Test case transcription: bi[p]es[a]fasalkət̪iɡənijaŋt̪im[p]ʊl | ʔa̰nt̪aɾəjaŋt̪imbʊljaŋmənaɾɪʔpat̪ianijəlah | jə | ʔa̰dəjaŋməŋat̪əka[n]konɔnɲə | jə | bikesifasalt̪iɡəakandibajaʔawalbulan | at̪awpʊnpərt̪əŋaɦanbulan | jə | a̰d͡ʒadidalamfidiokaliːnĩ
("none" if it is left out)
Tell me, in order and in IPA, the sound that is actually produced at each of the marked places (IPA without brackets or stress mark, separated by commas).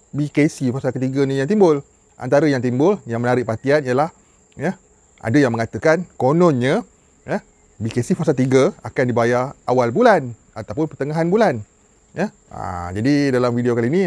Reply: k, i, b, n